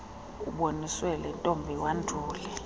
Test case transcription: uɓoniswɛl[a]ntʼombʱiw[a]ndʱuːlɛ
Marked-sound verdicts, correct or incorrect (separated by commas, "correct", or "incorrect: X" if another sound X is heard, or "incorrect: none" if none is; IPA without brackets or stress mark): incorrect: ɛ, correct